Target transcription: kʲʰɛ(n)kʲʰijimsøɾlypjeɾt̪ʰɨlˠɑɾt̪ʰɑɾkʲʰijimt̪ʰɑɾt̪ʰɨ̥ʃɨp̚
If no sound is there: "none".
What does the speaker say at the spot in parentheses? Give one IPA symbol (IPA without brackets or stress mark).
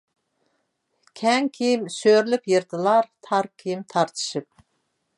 ŋ